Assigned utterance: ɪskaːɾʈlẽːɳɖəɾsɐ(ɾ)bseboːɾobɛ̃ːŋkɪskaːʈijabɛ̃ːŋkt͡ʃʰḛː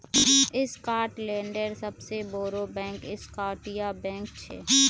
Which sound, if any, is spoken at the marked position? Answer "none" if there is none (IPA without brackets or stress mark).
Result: none